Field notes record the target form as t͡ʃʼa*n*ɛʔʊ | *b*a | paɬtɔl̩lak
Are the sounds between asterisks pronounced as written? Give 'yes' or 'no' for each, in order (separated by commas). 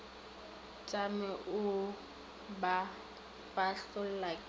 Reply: no, yes